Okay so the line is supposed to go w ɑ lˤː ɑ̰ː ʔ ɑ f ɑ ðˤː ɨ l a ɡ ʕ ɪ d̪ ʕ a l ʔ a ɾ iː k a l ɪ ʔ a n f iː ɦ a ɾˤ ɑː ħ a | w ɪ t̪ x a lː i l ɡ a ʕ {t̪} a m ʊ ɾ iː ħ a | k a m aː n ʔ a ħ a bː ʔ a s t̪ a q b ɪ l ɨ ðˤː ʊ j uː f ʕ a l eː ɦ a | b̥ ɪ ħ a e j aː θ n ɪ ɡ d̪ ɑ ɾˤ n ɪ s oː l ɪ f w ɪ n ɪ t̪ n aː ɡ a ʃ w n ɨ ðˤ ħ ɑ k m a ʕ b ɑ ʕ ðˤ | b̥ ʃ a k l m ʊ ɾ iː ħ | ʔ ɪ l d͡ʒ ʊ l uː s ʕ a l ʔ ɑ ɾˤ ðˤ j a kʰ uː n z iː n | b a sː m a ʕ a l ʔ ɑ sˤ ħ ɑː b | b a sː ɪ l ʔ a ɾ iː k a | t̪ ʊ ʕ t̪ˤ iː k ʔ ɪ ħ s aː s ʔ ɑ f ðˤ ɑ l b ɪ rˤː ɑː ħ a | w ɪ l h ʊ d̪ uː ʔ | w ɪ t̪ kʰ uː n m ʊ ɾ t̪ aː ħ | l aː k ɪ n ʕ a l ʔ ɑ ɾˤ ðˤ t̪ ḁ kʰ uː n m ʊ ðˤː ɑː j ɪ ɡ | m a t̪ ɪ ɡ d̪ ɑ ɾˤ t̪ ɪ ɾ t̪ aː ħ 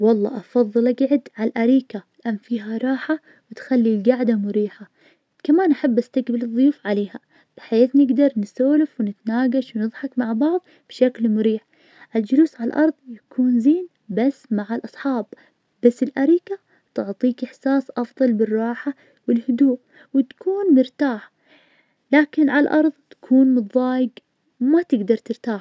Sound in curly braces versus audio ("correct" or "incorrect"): incorrect